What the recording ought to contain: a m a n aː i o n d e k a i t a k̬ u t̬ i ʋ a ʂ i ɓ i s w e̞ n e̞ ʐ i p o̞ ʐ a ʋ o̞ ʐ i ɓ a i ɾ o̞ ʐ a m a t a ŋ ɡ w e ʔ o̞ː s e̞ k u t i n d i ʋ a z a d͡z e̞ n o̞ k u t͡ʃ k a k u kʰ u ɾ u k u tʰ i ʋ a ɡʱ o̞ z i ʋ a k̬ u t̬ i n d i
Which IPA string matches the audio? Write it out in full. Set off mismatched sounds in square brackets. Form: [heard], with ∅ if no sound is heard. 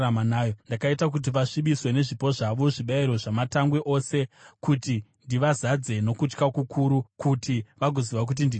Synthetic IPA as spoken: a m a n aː [j] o n d [a] k a i t a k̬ u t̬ i ʋ a ʂ i ɓ i s w e̞ n e̞ ʐ i p o̞ ʐ a ʋ o̞ ʐ i ɓ a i ɾ o̞ ʐ a m a t a ŋ ɡ w e ʔ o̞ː s e̞ k u t i n d i ʋ a z a d͡z e̞ n o̞ k u t͡ʃ k a k u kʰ u ɾ u k u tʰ i ʋ a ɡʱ o̞ z i ʋ a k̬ u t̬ i n d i